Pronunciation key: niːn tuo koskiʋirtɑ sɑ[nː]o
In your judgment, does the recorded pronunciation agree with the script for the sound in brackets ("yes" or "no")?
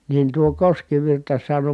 no